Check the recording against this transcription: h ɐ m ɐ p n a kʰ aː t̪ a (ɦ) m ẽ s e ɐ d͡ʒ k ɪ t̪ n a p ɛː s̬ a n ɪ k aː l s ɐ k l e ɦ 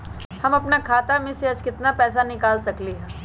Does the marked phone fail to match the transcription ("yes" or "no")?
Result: yes